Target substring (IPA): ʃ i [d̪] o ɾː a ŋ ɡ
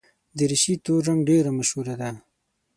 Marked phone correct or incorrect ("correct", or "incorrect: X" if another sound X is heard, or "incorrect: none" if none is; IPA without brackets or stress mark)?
incorrect: t̪